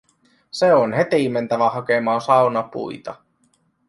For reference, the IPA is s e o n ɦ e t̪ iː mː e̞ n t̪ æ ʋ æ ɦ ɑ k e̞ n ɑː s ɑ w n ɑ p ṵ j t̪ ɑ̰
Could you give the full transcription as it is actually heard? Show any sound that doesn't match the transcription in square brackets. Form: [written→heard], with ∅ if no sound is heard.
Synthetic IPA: s e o n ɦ e t̪ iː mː e̞ n t̪ æ ʋ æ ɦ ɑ k e̞ [n→m] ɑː s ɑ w n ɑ p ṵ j t̪ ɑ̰